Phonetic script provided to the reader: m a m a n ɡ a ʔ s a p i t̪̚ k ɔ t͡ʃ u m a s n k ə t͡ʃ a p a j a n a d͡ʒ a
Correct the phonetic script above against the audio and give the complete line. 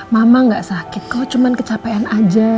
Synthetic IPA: m a m a ŋ ɡ a ʔ s a k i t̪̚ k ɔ t͡ʃ u m a n k ə t͡ʃ a p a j a n a d͡ʒ a